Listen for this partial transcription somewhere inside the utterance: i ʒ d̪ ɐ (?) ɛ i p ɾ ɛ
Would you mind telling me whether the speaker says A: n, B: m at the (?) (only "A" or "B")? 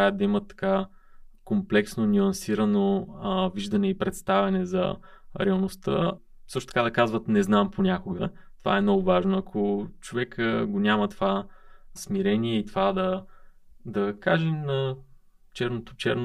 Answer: A